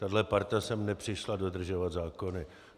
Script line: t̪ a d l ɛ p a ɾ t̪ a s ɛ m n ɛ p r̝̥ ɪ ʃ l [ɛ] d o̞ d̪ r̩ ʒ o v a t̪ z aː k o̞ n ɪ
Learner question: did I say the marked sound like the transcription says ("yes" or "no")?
no